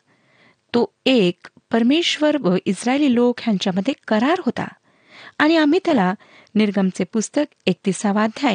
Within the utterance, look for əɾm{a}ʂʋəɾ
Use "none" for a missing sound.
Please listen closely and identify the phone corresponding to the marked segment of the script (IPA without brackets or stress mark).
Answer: e